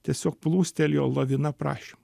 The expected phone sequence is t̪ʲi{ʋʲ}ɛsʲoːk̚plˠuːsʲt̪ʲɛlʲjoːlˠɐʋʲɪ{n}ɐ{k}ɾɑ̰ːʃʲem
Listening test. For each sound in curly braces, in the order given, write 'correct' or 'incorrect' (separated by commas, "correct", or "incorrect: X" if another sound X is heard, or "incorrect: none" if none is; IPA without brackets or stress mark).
incorrect: none, correct, incorrect: p